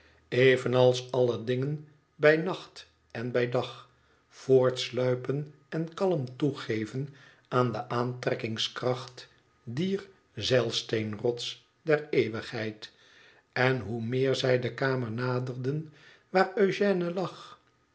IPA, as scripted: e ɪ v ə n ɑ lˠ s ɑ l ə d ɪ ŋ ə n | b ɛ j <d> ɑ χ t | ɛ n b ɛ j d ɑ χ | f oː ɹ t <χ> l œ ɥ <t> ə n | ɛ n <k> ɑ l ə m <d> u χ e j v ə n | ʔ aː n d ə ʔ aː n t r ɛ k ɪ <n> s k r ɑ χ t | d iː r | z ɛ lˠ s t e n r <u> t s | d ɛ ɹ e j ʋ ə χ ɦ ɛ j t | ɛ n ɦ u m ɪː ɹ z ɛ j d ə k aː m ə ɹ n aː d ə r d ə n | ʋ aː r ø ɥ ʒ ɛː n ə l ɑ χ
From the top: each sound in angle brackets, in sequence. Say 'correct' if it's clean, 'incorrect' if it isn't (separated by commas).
incorrect, incorrect, incorrect, correct, incorrect, incorrect, incorrect